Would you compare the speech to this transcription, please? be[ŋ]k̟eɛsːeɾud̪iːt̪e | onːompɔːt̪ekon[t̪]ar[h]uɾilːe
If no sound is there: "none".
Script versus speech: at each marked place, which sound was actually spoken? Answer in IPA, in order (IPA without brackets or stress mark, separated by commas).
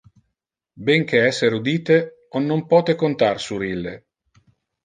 ŋ, t̪, s